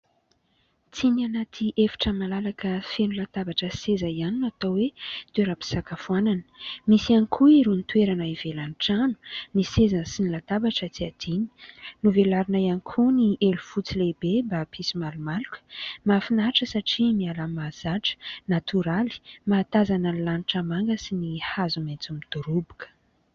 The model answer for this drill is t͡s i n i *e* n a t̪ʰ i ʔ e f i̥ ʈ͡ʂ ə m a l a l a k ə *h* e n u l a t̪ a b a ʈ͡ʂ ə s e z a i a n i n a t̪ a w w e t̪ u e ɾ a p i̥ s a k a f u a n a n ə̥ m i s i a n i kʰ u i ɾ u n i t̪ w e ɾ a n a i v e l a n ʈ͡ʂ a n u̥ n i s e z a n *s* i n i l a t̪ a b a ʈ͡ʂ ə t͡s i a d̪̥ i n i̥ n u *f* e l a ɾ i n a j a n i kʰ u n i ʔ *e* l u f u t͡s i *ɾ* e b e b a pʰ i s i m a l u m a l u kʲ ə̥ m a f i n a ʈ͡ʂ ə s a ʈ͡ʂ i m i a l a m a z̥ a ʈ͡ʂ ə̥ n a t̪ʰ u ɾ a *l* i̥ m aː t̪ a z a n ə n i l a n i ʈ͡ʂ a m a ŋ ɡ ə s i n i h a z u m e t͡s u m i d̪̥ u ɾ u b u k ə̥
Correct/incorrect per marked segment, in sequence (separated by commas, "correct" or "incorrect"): incorrect, incorrect, correct, incorrect, correct, incorrect, correct